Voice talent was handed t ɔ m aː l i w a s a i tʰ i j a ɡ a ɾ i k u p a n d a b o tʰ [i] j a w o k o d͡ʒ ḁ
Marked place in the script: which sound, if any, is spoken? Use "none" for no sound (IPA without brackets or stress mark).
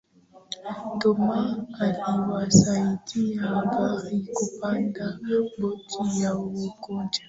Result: i